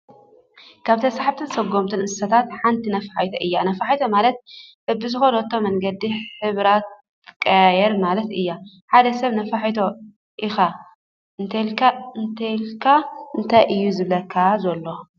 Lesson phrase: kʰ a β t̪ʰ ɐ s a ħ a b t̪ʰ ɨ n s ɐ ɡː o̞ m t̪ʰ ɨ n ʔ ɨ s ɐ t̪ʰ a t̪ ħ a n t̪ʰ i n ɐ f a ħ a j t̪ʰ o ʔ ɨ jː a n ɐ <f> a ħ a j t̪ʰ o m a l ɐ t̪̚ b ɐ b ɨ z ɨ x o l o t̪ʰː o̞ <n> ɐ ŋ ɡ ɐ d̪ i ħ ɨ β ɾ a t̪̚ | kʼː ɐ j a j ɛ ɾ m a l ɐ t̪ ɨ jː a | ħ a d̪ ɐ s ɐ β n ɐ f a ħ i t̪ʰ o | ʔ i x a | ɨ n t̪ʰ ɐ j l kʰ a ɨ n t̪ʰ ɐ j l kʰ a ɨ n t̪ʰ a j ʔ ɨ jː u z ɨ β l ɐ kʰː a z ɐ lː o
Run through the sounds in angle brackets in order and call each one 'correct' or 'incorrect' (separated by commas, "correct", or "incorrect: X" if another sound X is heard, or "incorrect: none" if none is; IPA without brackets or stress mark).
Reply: correct, incorrect: m